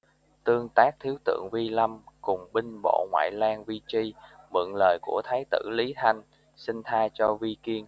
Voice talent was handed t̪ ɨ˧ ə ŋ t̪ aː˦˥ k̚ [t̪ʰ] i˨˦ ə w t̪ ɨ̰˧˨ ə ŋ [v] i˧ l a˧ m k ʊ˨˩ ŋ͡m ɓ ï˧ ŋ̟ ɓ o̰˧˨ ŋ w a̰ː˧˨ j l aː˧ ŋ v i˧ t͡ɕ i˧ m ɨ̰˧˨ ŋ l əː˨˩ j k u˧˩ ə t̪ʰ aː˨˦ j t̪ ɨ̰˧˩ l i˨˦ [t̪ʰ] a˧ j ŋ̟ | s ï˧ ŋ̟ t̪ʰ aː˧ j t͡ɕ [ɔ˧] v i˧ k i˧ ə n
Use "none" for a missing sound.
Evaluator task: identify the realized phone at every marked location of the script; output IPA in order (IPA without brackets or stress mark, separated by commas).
t̪ʰ, v, t̪ʰ, ɔ˧